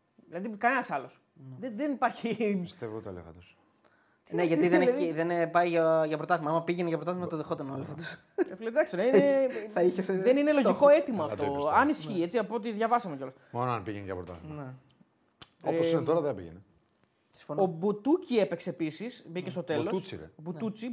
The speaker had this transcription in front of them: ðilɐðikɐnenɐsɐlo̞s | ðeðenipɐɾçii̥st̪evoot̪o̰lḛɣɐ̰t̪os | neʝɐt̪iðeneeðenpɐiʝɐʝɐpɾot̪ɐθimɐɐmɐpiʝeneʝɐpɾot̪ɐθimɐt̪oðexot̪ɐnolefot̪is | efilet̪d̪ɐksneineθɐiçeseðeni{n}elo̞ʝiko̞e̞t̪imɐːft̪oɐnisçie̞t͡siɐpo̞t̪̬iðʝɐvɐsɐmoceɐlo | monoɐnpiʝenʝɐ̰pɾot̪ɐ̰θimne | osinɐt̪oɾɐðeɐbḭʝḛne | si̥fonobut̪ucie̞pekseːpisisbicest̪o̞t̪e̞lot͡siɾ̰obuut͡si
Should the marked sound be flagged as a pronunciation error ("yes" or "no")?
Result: no